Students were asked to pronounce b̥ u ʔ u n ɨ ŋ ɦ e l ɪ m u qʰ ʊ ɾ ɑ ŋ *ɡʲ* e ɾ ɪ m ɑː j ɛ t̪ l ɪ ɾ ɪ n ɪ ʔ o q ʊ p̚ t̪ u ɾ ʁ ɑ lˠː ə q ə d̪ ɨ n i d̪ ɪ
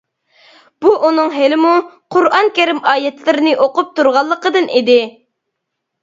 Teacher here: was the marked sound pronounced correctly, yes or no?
no